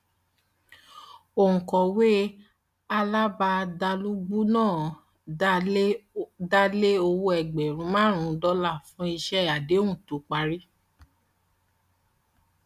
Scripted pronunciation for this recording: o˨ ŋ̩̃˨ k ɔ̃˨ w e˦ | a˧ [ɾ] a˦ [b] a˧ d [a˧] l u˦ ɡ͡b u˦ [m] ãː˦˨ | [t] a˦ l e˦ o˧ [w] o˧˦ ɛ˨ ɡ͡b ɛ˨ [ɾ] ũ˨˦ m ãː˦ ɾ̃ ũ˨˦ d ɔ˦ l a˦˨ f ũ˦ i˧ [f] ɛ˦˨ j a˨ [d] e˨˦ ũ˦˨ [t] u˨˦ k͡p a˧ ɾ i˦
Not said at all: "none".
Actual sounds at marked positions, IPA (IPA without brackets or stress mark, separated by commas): l, b, a˧, n, d, w, ɾ, ʃ, d, t